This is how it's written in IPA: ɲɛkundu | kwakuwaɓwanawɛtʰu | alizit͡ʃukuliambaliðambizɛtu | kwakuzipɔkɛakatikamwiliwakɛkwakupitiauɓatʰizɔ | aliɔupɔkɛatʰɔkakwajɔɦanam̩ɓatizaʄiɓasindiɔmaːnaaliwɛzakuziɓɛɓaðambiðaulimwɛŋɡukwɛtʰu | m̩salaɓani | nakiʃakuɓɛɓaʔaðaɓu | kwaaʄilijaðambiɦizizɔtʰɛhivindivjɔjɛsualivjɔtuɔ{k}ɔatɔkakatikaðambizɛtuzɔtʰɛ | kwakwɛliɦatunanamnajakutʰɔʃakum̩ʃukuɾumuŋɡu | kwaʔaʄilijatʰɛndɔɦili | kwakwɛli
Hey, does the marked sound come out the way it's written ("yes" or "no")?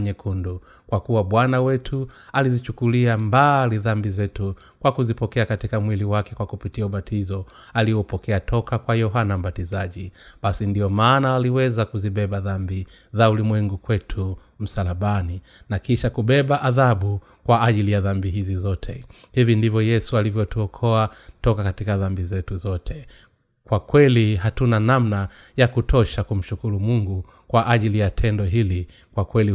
no